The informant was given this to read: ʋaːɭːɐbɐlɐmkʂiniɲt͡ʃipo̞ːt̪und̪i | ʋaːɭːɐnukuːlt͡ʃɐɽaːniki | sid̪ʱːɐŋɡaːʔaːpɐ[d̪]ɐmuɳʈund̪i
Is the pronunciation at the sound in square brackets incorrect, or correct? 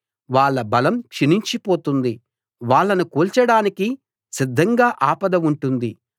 correct